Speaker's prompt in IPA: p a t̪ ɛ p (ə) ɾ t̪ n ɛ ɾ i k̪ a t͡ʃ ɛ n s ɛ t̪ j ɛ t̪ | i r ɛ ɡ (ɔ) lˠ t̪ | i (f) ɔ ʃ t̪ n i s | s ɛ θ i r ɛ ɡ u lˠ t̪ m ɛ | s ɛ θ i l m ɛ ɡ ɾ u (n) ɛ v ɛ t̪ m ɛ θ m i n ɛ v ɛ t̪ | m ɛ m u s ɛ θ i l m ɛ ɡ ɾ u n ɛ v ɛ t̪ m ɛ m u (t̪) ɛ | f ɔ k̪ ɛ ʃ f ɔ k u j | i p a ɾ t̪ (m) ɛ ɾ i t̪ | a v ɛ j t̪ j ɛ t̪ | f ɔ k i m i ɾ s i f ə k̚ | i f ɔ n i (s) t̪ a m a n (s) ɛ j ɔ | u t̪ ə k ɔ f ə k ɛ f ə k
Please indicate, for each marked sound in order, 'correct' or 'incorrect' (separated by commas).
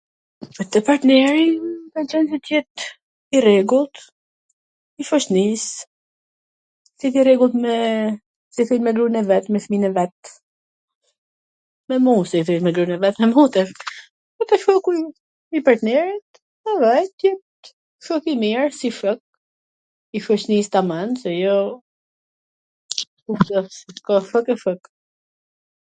incorrect, incorrect, correct, correct, correct, incorrect, correct, correct